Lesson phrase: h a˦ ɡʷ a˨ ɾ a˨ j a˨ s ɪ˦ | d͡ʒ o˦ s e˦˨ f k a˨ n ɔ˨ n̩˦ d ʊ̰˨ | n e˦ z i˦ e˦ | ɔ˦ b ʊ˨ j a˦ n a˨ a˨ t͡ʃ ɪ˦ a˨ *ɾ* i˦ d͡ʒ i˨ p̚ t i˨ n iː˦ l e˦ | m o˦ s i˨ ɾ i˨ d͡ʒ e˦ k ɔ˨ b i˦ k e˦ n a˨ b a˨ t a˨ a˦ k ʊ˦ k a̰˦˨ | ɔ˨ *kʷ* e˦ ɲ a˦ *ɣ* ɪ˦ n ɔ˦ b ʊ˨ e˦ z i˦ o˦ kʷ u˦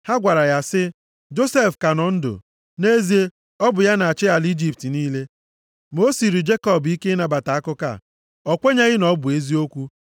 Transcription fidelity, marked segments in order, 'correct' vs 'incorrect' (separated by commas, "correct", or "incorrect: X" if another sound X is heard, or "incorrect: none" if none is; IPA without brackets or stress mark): incorrect: l, correct, correct